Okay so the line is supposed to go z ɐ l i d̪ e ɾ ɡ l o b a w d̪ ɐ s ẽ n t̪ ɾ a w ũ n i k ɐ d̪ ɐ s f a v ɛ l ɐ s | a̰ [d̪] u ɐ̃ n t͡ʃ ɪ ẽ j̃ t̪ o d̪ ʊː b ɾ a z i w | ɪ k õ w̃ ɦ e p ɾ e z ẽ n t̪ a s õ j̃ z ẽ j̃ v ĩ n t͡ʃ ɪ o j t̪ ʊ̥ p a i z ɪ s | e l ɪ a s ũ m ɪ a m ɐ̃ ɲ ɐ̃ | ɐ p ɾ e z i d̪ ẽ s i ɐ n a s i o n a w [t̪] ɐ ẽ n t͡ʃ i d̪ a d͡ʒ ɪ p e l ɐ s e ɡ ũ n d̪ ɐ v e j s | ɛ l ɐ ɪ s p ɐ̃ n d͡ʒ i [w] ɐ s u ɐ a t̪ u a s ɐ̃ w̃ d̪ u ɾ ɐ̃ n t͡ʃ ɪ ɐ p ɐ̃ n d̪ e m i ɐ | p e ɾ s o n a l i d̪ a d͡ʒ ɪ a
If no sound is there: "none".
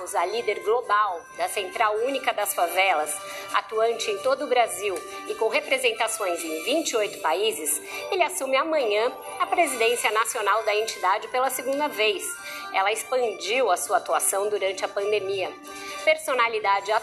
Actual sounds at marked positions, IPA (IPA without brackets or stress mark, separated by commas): t̪, d̪, w